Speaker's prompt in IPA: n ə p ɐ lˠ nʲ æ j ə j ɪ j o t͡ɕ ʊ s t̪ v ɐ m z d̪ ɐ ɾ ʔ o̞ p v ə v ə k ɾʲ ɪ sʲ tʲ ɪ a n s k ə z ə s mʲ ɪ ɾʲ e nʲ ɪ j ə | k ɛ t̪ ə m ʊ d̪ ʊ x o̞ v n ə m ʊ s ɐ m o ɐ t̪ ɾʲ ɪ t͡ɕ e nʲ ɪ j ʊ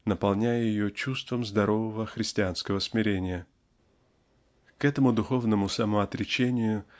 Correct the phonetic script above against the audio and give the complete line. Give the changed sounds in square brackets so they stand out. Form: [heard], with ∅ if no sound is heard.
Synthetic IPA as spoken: n ə p ɐ lˠ nʲ æ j ə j ɪ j o t͡ɕ [u] s t̪ v [ə] m z d̪ ɐ ɾ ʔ o̞ [∅] v ə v ə [x] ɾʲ ɪ sʲ tʲ ɪ a n s k ə [v] ə s mʲ ɪ ɾʲ e nʲ ɪ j ə | k ɛ t̪ ə m ʊ d̪ ʊ x o̞ v n ə m ʊ s ɐ m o ɐ t̪ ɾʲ ɪ t͡ɕ e nʲ ɪ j ʊ

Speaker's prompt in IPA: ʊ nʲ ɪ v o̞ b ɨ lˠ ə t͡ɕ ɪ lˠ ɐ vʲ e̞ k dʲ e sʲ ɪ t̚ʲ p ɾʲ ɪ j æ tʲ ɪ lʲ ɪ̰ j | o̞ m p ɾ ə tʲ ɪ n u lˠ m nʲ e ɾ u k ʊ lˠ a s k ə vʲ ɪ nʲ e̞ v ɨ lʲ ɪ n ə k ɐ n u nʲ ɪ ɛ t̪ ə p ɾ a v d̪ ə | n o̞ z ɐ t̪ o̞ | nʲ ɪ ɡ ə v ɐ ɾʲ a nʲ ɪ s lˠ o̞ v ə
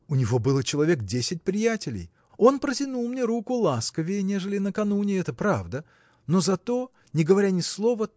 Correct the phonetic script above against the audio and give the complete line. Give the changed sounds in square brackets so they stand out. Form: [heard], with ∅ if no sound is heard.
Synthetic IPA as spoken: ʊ nʲ ɪ v o̞ b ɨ lˠ ə t͡ɕ ɪ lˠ ɐ vʲ e̞ k dʲ e sʲ ɪ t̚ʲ p ɾʲ ɪ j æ tʲ ɪ lʲ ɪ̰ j | o̞ [n] p ɾ ə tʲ ɪ n u lˠ m nʲ e ɾ u k ʊ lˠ a s k ə vʲ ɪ nʲ e̞ [ʐ] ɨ lʲ ɪ n ə k ɐ n u nʲ ɪ ɛ t̪ ə p ɾ a v d̪ ə | n o̞ z ɐ t̪ o̞ | nʲ ɪ ɡ ə v ɐ ɾʲ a nʲ ɪ s lˠ o̞ v ə

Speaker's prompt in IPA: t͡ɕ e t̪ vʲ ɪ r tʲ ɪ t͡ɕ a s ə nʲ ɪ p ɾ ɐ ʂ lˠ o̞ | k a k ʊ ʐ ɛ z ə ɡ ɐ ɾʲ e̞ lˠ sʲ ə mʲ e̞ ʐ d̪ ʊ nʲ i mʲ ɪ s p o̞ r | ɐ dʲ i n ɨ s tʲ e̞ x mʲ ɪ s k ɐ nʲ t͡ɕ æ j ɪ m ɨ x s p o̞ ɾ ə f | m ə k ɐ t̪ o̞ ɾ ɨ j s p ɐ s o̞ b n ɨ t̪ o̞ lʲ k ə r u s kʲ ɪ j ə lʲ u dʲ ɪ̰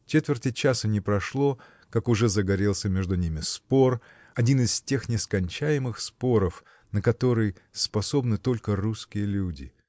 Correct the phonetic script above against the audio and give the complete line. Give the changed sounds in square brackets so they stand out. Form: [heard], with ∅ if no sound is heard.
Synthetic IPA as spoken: t͡ɕ e t̪ vʲ ɪ r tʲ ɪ t͡ɕ a s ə nʲ ɪ p ɾ ɐ ʂ lˠ o̞ | k a k ʊ ʐ ɛ z ə ɡ ɐ ɾʲ e̞ lˠ sʲ ə mʲ e̞ ʐ d̪ ʊ nʲ i mʲ ɪ s p o̞ r | ɐ dʲ i n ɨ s tʲ e̞ x [nʲ] ɪ s k ɐ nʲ t͡ɕ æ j ɪ m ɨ x s p o̞ ɾ ə f | [n] ə k ɐ t̪ o̞ ɾ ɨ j s p ɐ s o̞ b n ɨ t̪ o̞ lʲ k ə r u s kʲ ɪ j ə lʲ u dʲ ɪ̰

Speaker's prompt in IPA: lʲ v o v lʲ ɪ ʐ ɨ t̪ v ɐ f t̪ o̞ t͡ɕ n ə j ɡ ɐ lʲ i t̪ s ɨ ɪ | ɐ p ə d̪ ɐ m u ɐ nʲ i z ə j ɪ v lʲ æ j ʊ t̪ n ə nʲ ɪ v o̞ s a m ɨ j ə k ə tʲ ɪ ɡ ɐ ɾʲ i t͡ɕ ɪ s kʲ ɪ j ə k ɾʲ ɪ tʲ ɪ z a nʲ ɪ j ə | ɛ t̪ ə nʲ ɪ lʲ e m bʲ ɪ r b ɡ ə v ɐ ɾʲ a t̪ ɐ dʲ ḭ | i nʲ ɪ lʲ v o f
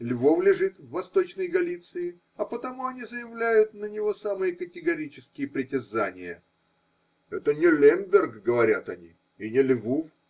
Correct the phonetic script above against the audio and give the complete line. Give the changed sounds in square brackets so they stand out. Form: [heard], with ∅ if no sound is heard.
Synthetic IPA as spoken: lʲ v o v lʲ ɪ ʐ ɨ t̪ [vː] ɐ [s] t̪ o̞ t͡ɕ n ə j ɡ ɐ lʲ i t̪ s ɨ ɪ | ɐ p ə [t̪] ɐ m u ɐ nʲ i z ə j ɪ v lʲ æ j ʊ t̪ n ə nʲ ɪ v o̞ s a m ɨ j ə k ə tʲ ɪ ɡ ɐ ɾʲ i t͡ɕ ɪ s kʲ ɪ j ə [p] ɾʲ ɪ tʲ ɪ z a nʲ ɪ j ə | ɛ t̪ ə nʲ ɪ lʲ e m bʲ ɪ r [ɡ] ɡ ə v ɐ ɾʲ a t̪ ɐ [nʲ] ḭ | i nʲ ɪ lʲ v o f

